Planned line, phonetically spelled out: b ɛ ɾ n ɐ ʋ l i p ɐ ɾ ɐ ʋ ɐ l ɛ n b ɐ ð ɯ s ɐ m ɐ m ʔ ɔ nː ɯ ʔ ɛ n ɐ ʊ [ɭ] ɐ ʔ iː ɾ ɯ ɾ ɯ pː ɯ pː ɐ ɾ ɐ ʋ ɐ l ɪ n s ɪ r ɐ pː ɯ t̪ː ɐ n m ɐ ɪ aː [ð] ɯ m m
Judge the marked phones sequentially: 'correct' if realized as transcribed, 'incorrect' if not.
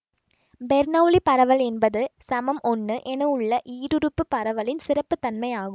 incorrect, incorrect

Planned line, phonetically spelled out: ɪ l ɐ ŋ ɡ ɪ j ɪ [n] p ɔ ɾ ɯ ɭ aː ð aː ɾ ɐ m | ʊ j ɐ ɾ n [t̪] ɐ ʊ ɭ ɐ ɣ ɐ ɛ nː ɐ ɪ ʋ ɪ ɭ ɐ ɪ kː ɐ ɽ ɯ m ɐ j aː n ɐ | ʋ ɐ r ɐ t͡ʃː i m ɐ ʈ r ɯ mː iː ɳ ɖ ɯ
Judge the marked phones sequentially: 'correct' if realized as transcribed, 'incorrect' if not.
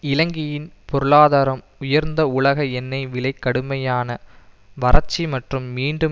correct, incorrect

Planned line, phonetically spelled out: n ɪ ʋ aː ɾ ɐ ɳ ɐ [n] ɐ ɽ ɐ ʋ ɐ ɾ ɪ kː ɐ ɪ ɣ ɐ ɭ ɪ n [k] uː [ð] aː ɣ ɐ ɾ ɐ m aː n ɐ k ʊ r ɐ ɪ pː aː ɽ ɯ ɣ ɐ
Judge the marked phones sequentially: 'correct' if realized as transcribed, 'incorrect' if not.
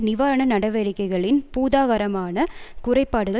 correct, incorrect, correct

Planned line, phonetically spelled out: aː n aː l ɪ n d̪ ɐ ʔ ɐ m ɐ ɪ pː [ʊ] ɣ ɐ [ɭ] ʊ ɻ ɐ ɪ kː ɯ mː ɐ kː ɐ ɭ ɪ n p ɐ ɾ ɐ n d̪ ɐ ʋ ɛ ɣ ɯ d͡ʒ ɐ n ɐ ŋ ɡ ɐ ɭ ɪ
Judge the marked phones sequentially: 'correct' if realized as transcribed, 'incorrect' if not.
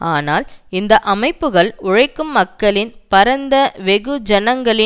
incorrect, correct

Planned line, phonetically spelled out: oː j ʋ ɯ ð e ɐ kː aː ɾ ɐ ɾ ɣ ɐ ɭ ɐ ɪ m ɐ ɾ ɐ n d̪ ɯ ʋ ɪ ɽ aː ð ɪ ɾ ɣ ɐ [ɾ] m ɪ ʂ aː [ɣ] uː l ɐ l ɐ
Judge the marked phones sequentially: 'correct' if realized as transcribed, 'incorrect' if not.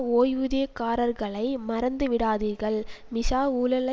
incorrect, incorrect

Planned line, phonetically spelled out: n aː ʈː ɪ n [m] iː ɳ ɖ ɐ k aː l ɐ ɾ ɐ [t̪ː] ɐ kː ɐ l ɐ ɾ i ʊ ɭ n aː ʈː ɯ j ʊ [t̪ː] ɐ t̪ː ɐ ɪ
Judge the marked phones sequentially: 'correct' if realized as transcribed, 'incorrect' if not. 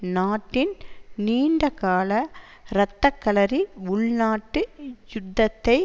incorrect, correct, incorrect

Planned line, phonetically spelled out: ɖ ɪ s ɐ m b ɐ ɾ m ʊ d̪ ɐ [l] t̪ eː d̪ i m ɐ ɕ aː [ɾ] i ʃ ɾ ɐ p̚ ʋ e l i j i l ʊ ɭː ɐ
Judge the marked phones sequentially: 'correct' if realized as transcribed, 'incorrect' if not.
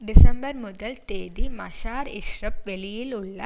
correct, correct

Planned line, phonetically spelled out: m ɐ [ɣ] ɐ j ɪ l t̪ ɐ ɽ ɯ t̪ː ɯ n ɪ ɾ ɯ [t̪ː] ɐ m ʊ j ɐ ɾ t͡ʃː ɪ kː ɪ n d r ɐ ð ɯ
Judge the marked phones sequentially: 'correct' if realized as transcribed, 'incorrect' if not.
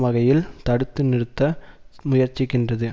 correct, correct

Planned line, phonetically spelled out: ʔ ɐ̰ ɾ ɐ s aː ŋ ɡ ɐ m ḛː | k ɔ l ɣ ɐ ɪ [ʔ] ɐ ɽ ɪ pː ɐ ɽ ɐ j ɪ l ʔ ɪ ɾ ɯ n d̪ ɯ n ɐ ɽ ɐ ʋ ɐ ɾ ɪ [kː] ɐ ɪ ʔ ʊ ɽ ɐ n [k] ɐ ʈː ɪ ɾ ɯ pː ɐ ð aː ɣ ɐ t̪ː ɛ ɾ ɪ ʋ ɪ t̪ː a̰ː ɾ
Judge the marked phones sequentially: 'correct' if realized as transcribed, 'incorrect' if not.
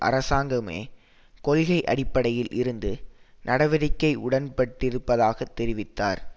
correct, correct, incorrect

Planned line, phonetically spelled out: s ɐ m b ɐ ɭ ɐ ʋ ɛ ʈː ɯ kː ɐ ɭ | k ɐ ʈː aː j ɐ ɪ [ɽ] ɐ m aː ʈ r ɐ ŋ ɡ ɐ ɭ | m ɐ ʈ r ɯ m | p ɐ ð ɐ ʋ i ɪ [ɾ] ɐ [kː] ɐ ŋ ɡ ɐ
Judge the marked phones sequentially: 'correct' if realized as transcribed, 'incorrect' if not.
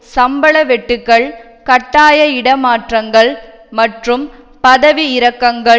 correct, correct, correct

